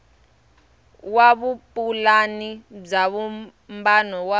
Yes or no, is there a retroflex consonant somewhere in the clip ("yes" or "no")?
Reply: yes